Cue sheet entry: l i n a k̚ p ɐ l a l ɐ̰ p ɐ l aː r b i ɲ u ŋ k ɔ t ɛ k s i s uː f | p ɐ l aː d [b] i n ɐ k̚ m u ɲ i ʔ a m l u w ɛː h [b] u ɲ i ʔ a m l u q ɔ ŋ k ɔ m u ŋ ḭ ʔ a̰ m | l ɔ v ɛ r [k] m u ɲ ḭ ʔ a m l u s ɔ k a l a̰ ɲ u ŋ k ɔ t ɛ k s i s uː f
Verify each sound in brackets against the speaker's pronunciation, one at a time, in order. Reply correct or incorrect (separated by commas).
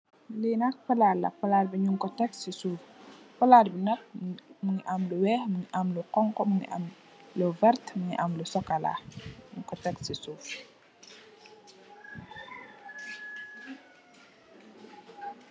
correct, incorrect, incorrect